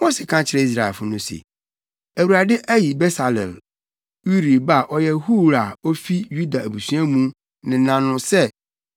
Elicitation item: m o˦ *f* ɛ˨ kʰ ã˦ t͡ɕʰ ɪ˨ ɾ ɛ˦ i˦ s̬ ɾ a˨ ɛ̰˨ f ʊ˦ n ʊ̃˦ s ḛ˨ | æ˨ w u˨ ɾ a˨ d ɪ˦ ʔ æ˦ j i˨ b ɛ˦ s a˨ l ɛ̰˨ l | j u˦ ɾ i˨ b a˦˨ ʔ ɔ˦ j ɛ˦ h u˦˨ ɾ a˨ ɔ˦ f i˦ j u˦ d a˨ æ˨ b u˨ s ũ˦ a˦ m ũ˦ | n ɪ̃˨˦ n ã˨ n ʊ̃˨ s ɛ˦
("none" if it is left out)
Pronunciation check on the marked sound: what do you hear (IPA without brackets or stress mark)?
s